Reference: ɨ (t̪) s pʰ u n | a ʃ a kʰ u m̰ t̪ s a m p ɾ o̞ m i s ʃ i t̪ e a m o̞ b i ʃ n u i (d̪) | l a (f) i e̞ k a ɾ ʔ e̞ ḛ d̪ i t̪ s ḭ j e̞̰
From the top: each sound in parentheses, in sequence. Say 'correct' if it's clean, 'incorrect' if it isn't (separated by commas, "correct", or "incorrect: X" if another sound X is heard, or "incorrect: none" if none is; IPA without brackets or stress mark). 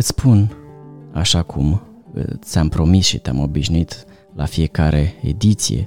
correct, incorrect: t̪, correct